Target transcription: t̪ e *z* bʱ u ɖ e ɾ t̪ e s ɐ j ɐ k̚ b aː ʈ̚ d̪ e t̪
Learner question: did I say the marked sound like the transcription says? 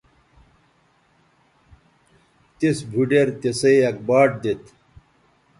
no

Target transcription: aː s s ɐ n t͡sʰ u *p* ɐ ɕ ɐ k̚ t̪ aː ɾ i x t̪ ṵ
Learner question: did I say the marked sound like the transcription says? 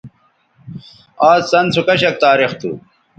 no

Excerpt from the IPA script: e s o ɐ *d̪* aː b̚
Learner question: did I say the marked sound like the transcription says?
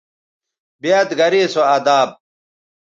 yes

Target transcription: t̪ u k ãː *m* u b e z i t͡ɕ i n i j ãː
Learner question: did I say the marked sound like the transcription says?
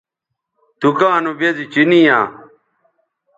no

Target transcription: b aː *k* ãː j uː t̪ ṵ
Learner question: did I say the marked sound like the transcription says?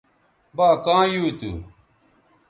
yes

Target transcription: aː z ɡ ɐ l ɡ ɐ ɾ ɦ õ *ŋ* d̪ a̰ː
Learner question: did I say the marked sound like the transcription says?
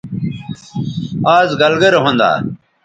no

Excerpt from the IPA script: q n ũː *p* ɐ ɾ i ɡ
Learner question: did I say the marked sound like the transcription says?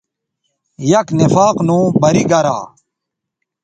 no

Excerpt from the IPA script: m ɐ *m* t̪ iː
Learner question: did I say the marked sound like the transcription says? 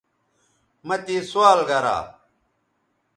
no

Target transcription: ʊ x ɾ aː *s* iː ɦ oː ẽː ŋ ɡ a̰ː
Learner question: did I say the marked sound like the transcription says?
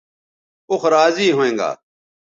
no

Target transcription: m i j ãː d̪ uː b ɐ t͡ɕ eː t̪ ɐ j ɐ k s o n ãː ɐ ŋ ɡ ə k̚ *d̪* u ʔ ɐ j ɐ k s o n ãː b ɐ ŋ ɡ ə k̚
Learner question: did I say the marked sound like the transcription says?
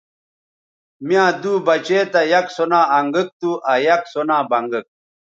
no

